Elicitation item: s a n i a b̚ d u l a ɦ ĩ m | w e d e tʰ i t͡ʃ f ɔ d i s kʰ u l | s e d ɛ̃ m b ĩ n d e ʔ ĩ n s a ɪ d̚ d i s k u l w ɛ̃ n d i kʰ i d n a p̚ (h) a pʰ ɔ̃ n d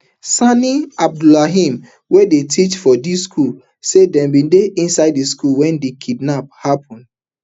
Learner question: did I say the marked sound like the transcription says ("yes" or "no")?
yes